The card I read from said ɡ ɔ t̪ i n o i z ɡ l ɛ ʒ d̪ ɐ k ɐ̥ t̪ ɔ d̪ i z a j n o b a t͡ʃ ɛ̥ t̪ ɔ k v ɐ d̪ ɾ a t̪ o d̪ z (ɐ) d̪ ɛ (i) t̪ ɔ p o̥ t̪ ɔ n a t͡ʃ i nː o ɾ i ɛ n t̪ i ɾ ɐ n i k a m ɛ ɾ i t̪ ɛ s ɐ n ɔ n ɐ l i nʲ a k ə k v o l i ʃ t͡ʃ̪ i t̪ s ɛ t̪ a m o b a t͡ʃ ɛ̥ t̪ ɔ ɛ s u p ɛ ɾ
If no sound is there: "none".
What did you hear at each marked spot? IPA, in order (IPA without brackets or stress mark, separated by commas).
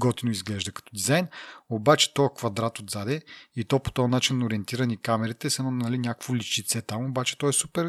a, i